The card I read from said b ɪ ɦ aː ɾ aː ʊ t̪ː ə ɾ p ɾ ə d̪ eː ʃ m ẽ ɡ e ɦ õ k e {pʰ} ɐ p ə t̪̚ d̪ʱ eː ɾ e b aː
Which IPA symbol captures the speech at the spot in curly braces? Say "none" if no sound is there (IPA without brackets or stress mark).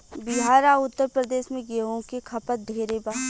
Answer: kʰ